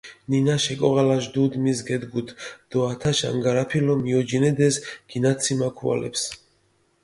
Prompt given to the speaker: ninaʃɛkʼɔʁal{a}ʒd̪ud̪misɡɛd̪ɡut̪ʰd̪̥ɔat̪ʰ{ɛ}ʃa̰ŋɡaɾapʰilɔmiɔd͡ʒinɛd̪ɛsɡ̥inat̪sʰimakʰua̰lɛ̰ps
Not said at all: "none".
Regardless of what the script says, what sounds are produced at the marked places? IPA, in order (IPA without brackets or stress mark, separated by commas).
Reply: a, a